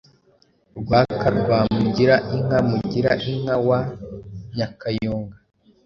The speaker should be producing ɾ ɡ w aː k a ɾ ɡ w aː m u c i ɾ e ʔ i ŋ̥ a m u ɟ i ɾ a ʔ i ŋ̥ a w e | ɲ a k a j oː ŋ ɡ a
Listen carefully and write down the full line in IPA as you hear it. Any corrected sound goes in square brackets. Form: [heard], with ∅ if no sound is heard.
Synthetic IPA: ɾ ɡ w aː k a ɾ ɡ w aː m u [ɟ] i ɾ [a] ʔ i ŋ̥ a m u ɟ i ɾ a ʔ i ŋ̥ a w [a] | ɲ a k a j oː ŋ ɡ a